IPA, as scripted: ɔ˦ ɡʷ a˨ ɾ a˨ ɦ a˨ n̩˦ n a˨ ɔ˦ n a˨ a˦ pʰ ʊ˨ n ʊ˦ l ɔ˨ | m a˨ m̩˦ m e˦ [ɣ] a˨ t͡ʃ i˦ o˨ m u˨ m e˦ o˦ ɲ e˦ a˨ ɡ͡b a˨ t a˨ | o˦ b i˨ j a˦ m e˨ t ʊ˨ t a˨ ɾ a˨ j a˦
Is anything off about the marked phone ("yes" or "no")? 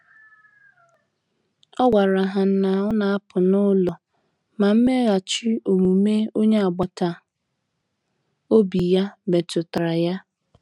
no